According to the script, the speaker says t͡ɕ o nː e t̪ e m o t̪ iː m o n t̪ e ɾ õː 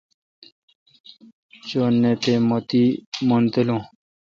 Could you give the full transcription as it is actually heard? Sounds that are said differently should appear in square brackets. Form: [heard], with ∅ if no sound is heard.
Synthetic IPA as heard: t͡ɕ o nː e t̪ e m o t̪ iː m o n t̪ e [l] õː